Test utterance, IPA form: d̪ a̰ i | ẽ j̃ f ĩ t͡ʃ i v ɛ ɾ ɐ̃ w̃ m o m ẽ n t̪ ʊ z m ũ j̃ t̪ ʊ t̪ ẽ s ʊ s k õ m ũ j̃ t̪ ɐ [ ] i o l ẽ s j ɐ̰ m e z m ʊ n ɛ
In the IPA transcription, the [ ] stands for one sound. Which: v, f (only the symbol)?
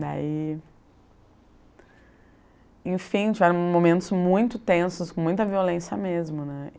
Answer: v